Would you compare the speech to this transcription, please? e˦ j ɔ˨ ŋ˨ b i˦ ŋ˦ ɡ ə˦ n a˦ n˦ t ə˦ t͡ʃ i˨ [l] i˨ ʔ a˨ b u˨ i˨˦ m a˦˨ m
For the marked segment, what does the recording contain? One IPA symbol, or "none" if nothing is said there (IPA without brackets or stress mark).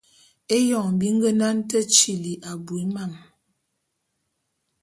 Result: l